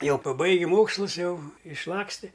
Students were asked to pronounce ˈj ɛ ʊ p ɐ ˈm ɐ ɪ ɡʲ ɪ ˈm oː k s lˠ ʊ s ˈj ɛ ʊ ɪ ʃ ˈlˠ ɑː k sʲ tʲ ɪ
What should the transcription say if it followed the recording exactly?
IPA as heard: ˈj ɛ ʊ p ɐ ˈb ɐ ɪ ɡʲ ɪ ˈm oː k s lˠ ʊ s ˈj ɛ ʊ ɪ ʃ ˈlˠ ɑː k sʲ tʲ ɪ